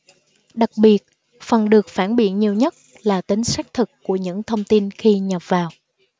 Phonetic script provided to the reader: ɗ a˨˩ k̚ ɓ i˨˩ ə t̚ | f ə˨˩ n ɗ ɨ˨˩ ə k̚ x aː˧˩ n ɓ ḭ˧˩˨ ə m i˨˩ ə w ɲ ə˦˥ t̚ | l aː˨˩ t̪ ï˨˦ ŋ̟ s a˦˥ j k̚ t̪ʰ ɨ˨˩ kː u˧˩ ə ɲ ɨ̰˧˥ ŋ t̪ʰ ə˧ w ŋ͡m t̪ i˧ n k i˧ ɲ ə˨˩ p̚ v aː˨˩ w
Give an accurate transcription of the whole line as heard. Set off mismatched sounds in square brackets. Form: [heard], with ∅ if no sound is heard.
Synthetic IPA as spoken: ɗ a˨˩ k̚ ɓ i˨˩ ə t̚ | f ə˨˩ n ɗ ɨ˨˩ ə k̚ [f] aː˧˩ n ɓ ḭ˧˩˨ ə [ɲ] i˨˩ ə w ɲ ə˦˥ t̚ | l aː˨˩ t̪ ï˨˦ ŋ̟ s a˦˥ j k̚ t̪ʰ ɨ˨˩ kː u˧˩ ə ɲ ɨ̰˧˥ ŋ t̪ʰ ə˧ w ŋ͡m t̪ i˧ n [x] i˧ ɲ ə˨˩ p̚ v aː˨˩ w